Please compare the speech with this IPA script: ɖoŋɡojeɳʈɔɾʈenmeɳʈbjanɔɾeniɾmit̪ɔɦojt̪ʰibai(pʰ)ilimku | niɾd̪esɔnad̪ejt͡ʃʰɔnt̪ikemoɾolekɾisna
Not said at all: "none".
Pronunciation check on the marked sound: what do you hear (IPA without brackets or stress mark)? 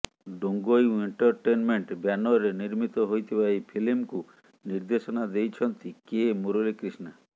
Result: pʰ